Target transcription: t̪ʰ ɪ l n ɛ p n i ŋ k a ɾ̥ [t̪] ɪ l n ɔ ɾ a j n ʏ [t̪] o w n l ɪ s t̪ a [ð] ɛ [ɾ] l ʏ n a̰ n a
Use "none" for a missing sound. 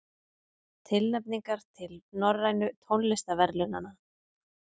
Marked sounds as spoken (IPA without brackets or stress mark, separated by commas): t̪ʰ, t̪ʰ, v, ɾ